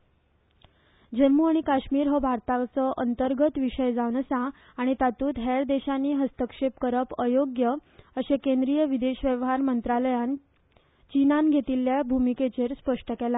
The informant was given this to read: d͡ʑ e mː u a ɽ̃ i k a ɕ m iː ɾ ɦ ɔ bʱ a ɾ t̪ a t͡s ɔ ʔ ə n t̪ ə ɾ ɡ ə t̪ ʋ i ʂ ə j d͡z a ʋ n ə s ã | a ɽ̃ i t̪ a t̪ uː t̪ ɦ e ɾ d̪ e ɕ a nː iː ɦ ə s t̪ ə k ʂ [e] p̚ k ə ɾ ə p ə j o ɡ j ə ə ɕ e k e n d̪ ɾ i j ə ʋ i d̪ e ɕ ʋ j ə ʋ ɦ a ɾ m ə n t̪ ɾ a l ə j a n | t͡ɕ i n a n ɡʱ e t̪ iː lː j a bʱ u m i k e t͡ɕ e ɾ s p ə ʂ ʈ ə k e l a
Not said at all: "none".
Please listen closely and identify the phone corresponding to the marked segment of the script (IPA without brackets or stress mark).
e